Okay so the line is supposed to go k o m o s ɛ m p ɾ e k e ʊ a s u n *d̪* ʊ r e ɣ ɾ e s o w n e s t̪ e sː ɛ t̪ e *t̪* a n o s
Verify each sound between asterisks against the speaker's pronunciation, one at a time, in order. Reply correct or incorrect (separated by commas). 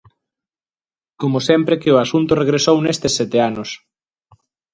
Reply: incorrect, incorrect